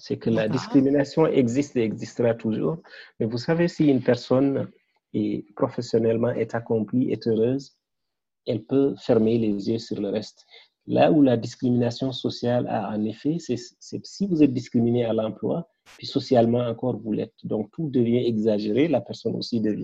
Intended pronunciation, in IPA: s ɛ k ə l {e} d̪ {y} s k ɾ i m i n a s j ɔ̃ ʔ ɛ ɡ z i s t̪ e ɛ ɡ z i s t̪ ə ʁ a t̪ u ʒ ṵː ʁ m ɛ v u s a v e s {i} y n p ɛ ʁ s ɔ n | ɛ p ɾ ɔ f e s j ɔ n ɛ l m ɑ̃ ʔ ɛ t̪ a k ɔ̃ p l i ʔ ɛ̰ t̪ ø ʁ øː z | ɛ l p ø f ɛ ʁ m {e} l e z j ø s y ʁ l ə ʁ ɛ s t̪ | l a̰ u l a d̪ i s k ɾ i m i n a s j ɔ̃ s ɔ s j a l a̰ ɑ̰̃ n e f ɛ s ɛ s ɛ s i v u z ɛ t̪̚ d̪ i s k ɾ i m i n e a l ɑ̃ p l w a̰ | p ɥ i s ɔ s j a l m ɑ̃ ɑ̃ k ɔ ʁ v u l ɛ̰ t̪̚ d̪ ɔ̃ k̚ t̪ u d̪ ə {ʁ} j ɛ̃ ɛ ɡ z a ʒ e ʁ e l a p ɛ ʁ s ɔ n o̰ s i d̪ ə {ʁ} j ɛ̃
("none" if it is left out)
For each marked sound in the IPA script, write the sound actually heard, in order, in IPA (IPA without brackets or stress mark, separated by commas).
a, i, i, e, v, v